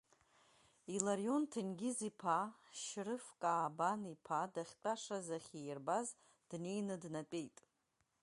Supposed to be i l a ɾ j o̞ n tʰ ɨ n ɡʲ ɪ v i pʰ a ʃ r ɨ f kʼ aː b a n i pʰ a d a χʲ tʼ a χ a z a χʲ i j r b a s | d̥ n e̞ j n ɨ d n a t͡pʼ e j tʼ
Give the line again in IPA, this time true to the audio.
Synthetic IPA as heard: i l a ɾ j o̞ n tʰ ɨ n ɡʲ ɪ z i pʰ a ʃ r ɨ f kʼ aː b a n i pʰ a d a χʲ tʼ a ʂ a z a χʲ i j r b a z | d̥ n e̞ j n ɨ d n a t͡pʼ e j tʼ